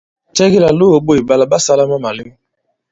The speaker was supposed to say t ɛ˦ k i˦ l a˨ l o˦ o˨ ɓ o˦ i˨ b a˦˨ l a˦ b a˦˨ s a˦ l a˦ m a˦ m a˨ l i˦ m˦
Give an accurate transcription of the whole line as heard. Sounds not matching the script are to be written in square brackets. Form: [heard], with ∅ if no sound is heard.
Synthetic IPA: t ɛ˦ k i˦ l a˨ l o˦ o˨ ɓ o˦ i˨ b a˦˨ l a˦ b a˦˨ s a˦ l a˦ m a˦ m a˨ l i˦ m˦